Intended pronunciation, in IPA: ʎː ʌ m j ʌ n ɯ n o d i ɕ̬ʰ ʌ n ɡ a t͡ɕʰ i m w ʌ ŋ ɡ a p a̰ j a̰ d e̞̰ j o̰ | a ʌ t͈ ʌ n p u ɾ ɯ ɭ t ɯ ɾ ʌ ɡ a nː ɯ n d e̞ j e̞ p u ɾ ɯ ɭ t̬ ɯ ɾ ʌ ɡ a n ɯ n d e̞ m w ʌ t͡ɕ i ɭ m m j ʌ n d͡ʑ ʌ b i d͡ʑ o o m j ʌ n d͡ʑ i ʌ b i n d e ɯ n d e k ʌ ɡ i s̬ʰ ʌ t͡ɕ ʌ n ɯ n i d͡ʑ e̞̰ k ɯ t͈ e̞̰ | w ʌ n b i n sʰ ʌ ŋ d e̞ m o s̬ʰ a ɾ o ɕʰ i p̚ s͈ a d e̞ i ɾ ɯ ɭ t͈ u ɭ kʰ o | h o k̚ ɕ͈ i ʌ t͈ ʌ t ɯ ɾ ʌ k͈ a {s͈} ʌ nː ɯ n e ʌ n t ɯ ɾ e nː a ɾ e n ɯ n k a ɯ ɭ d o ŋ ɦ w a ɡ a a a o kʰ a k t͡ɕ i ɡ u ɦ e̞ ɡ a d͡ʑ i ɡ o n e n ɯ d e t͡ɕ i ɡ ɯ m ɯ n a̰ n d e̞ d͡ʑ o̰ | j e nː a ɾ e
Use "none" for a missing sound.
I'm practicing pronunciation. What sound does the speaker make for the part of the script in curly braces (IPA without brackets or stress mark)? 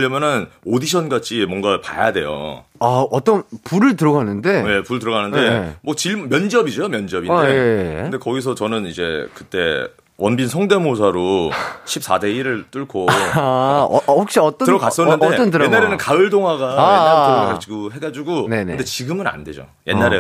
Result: s͈